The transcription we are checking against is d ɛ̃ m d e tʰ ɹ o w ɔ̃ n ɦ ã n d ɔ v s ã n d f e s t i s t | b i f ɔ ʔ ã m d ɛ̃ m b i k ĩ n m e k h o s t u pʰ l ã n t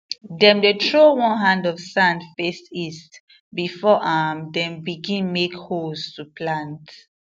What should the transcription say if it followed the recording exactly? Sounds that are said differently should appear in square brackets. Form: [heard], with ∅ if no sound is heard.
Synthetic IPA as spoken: d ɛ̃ m d e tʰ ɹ o w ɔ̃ n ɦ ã n d ɔ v s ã n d f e s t i s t | b i f ɔ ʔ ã m d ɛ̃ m b i [ɡ] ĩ n m e k h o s t u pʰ l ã n t